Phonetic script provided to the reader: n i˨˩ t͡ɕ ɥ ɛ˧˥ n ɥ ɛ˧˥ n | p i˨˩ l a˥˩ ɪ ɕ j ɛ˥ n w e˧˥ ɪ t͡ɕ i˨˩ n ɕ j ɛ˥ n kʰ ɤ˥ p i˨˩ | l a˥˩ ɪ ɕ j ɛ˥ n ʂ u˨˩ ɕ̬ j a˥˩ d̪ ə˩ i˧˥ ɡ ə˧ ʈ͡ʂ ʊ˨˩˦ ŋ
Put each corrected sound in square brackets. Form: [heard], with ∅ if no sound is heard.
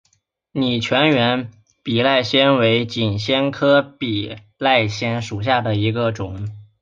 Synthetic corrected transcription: n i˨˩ [t͡ɕʰ] ɥ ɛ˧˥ n ɥ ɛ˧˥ n | p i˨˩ l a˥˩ ɪ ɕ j ɛ˥ n w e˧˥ ɪ t͡ɕ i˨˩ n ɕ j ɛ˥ n kʰ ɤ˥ p i˨˩ | l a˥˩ ɪ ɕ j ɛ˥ n ʂ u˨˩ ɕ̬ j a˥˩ d̪ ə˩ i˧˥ ɡ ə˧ ʈ͡ʂ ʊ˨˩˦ ŋ